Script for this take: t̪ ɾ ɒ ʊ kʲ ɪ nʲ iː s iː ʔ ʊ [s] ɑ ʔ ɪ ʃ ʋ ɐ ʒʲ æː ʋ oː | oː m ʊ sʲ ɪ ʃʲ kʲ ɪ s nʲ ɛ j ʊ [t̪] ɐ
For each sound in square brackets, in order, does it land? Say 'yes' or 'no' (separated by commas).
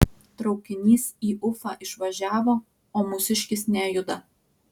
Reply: no, no